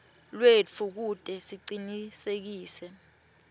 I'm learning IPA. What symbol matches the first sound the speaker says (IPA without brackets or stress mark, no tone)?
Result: l